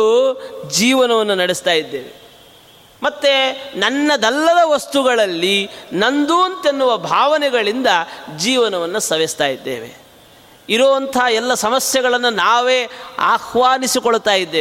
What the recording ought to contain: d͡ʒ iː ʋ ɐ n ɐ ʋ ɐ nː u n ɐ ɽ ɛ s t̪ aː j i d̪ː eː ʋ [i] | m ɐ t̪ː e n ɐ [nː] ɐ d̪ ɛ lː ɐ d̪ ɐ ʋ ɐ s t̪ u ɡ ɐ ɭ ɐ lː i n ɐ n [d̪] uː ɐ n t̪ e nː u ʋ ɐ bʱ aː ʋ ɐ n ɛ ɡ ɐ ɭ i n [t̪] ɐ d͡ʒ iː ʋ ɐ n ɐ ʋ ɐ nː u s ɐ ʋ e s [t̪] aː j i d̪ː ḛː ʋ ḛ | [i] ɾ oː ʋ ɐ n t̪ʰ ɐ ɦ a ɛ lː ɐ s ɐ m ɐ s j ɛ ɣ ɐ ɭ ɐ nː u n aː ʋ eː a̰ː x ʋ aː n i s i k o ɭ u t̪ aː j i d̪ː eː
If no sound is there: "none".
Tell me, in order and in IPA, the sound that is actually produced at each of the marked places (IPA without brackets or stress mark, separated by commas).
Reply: e, nː, d̪, d̪, t̪, i